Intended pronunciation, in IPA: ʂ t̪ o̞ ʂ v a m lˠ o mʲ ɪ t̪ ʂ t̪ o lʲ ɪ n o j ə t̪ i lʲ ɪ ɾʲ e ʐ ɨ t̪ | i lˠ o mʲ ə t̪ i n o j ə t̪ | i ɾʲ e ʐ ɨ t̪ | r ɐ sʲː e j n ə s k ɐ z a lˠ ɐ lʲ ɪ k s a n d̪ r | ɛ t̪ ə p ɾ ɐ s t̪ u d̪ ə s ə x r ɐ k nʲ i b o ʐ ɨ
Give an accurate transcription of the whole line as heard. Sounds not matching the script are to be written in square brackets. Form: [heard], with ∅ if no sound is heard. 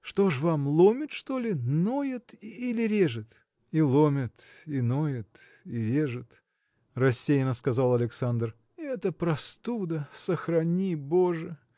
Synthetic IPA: ʂ t̪ o̞ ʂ v a m lˠ o mʲ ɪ t̪ ʂ t̪ o lʲ ɪ n o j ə t̪ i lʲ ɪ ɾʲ e ʐ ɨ t̪ | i lˠ o mʲ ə t̪ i n o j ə t̪ | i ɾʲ e ʐ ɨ t̪ | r ɐ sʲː e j n ə s k ɐ z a lˠ ɐ lʲ ɪ k s a n d̪ r | ɛ t̪ ə p ɾ ɐ s t̪ u d̪ ə s ə x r ɐ [∅] nʲ i b o ʐ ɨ